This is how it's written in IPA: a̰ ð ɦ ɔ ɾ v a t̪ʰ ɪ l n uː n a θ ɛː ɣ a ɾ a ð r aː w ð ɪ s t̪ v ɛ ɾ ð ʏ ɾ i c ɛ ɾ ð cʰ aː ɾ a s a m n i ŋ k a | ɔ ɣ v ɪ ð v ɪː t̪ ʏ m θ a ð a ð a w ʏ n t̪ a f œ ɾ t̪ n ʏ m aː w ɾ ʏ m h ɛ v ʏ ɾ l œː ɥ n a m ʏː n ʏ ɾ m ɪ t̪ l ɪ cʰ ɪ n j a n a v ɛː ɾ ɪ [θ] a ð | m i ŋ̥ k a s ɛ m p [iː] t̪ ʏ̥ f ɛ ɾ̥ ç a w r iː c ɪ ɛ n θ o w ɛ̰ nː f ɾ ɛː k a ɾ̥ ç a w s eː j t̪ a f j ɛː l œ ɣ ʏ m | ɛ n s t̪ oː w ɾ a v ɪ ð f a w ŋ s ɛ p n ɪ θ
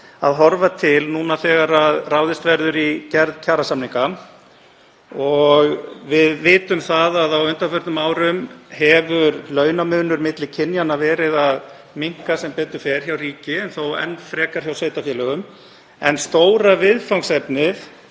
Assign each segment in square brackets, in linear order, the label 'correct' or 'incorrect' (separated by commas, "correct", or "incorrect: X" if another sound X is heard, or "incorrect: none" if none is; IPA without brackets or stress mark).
incorrect: ð, incorrect: ɛː